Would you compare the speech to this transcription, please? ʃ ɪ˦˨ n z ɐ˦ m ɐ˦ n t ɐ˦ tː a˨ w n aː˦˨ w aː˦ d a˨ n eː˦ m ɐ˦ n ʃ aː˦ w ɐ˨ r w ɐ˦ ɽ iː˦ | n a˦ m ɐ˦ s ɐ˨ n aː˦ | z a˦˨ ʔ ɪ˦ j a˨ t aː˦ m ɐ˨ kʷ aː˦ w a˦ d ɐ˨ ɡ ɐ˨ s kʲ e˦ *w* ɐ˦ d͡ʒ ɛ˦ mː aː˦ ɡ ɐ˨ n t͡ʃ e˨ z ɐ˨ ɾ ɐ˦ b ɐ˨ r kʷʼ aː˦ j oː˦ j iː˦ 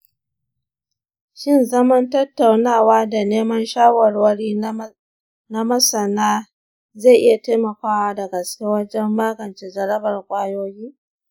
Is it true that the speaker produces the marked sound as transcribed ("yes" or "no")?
yes